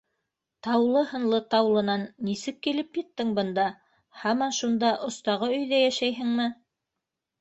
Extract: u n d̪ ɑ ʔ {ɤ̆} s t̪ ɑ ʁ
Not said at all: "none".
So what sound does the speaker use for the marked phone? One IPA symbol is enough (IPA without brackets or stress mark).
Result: ŏ